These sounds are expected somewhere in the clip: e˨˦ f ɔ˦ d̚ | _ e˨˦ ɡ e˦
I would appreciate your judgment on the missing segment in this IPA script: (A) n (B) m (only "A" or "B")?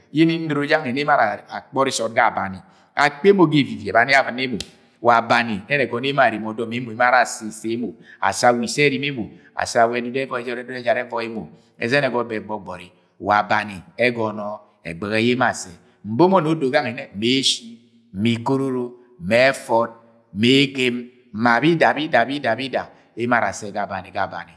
B